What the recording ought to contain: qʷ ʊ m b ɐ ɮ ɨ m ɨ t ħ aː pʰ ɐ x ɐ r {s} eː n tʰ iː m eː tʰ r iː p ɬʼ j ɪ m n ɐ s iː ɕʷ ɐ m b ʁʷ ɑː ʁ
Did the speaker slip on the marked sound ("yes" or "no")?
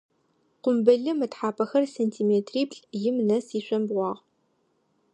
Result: no